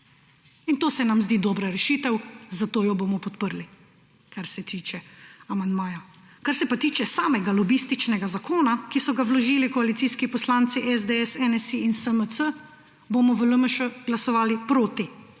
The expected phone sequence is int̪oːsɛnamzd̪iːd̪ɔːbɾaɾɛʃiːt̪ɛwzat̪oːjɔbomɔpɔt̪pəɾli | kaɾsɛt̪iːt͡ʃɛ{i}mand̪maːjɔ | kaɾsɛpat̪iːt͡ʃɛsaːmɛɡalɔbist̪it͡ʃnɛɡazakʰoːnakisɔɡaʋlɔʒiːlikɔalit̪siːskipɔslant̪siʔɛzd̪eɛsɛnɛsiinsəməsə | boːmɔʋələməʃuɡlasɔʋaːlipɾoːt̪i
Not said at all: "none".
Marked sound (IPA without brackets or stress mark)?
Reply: a